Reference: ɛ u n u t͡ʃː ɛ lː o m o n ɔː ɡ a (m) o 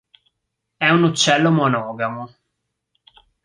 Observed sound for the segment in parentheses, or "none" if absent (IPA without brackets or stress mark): m